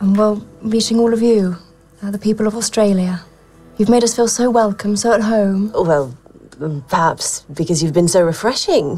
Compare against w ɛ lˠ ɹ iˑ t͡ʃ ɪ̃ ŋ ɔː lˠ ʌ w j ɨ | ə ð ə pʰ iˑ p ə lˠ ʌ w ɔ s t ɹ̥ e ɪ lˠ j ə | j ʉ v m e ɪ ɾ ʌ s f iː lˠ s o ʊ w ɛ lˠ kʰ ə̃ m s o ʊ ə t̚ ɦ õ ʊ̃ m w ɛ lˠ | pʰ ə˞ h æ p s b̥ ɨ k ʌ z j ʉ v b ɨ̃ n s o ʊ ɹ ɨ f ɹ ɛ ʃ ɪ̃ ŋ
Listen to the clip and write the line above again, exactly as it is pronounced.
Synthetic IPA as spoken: w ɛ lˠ ɹ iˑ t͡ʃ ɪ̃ ŋ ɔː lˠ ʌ v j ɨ | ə ð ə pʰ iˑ p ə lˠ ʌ v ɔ s t ɹ̥ e ɪ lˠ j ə | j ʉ v m e ɪ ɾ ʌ s f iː lˠ s o ʊ w ɛ lˠ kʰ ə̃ m s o ʊ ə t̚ ɦ õ ʊ̃ m w ɛ lˠ | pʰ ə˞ h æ p s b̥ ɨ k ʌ z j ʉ v b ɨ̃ n s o ʊ ɹ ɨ f ɹ ɛ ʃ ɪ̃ ŋ